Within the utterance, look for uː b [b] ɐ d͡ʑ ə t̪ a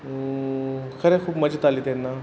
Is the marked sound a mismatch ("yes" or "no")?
yes